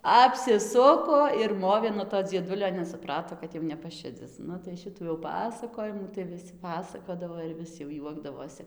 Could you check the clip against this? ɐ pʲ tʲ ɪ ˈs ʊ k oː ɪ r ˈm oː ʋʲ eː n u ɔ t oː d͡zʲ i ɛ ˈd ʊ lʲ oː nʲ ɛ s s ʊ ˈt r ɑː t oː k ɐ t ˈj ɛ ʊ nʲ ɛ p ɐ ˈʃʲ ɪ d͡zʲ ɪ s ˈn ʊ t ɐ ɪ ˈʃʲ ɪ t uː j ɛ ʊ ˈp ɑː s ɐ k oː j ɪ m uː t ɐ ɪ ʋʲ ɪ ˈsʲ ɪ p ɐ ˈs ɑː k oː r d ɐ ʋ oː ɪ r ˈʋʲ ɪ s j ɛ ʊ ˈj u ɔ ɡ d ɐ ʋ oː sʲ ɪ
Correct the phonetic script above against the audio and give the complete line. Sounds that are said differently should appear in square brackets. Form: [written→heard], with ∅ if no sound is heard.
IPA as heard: ɐ pʲ [tʲ→sʲ] ɪ ˈs ʊ k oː ɪ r ˈm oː ʋʲ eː n u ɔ t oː d͡zʲ i ɛ ˈd ʊ lʲ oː nʲ ɛ s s ʊ [ˈt→ˈp] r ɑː t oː k ɐ t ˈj ɛ ʊ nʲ ɛ p ɐ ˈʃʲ ɪ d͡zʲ ɪ s ˈn ʊ t ɐ ɪ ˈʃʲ ɪ t uː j ɛ ʊ ˈp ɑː s ɐ k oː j ɪ m uː t ɐ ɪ ʋʲ ɪ ˈsʲ ɪ p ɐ ˈs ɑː k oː [r→∅] d ɐ ʋ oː ɪ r ˈʋʲ ɪ s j ɛ ʊ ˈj u ɔ ɡ d ɐ ʋ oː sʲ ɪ